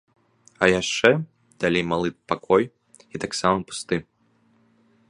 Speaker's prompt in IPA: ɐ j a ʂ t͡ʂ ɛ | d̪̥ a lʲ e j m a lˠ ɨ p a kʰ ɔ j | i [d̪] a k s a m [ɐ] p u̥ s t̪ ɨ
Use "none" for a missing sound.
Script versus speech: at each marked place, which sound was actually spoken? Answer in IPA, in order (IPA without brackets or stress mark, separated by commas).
t̪, ɐ